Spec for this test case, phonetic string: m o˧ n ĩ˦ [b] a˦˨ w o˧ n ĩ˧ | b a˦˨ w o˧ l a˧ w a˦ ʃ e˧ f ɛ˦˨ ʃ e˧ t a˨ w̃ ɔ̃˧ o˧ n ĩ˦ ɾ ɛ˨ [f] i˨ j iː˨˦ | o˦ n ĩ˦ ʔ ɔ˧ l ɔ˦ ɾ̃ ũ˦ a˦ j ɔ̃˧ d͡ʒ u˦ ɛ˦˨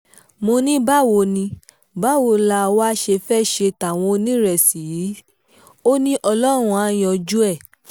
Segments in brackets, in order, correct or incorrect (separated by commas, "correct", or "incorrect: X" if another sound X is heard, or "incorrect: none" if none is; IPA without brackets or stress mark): correct, incorrect: s